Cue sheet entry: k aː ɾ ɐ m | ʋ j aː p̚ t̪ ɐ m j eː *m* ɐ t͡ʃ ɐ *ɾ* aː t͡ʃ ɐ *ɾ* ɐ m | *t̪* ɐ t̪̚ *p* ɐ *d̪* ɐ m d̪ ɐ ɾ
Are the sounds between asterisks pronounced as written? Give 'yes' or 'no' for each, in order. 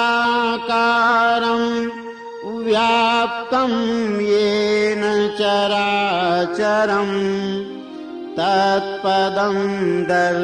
no, yes, yes, yes, yes, yes

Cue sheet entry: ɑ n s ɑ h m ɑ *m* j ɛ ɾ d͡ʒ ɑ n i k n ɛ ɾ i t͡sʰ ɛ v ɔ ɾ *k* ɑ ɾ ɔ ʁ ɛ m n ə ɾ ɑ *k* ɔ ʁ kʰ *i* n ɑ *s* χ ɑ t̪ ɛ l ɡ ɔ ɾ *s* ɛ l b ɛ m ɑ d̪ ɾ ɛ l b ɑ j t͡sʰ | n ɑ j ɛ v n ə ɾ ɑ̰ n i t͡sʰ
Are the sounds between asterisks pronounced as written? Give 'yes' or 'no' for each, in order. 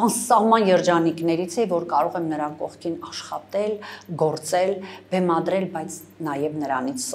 no, yes, yes, yes, no, no

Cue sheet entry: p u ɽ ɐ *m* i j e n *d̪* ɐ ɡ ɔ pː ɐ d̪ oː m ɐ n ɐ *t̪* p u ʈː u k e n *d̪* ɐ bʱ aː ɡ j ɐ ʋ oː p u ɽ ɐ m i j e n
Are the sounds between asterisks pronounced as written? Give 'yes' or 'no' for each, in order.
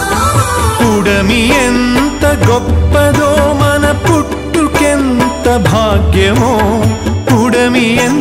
yes, no, no, no

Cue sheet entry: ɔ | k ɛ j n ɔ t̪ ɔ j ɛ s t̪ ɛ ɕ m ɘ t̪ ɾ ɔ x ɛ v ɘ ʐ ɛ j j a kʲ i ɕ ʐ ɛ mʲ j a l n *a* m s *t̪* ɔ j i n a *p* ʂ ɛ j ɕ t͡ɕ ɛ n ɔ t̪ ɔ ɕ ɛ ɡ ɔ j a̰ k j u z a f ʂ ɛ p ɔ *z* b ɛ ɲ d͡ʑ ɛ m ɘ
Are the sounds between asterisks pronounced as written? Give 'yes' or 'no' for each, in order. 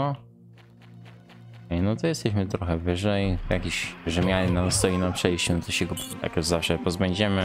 yes, yes, yes, yes

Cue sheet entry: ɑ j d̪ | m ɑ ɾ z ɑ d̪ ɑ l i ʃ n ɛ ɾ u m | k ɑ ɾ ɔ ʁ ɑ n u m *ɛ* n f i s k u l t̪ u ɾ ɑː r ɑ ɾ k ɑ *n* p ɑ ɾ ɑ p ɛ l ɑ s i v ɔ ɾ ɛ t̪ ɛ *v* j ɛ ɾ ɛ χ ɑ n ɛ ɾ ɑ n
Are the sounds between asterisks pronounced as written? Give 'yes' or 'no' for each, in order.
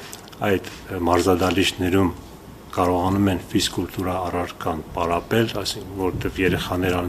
yes, yes, yes

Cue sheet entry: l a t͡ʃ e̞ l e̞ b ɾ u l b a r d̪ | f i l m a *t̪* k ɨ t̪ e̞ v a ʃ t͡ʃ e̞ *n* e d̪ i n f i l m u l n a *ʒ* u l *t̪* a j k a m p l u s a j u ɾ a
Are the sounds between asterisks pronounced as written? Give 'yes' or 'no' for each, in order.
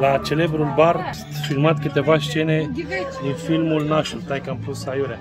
yes, yes, no, yes

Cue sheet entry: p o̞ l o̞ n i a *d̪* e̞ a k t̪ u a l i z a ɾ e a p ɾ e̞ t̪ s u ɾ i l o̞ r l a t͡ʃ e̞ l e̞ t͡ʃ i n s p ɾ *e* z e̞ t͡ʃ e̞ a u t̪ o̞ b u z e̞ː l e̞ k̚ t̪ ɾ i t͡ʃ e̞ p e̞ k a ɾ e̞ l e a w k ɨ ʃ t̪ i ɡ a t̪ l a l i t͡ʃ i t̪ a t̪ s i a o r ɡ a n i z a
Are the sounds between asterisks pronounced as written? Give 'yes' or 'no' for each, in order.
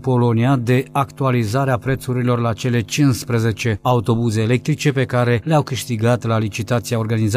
yes, yes

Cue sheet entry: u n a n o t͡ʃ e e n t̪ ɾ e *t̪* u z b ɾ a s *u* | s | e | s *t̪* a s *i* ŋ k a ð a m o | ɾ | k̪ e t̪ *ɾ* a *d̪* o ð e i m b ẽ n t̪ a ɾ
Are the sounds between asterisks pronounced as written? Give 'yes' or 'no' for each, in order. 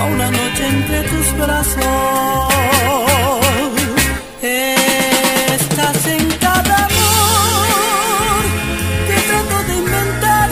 yes, no, yes, no, yes, no

